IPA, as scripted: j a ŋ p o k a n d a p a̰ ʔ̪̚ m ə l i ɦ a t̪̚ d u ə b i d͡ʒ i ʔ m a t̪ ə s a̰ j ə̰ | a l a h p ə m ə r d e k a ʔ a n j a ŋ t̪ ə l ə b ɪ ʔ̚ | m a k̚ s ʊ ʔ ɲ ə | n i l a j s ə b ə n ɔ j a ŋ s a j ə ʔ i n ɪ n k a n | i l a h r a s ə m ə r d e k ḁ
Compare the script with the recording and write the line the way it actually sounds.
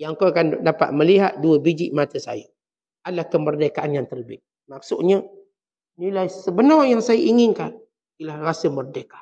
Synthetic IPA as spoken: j a ŋ k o k a n d a p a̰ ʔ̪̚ m ə l i ɦ a t̪̚ d u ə b i d͡ʒ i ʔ m a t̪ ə s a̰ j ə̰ | a l a h k ə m ə r d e k a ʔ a n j a ŋ t̪ ə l ə b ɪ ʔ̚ | m a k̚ s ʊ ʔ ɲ ə | n i l a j s ə b ə n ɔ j a ŋ s a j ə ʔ i ŋ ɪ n k a n | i l a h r a s ə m ə r d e k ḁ